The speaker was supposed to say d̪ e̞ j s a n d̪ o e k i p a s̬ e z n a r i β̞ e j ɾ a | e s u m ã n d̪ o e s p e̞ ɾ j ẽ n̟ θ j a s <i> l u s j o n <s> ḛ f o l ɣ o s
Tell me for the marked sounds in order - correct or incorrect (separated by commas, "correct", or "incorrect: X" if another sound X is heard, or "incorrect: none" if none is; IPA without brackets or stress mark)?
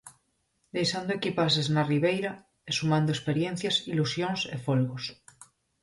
correct, correct